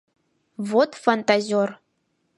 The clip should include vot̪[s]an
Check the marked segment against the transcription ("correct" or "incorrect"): incorrect